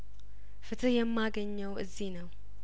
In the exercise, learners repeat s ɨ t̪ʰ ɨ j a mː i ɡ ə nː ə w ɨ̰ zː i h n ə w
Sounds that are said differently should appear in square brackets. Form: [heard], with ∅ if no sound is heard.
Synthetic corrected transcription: [f] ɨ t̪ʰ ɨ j [ɛ] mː [a] ɡ ə [ɲː] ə w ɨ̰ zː i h n ə w